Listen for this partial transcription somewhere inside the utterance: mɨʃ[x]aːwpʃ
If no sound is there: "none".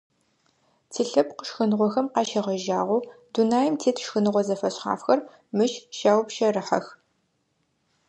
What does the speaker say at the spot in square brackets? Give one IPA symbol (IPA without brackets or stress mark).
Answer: ʃ